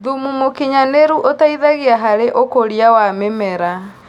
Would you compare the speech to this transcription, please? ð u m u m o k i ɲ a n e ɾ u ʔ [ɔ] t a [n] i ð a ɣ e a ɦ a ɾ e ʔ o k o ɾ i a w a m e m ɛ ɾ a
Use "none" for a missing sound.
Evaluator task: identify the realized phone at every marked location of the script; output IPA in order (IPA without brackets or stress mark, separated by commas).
o, none